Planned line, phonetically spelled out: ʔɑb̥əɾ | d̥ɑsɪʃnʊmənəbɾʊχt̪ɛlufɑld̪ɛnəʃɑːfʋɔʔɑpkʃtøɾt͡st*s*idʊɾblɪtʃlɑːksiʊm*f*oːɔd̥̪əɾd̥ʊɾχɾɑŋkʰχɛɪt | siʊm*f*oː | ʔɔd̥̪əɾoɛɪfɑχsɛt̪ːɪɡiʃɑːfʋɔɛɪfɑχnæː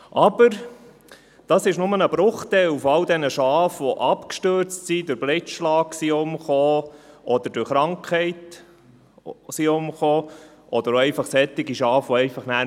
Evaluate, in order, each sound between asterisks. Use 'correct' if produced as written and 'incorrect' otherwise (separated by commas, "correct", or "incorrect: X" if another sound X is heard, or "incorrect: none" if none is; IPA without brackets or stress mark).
correct, incorrect: χ, incorrect: χ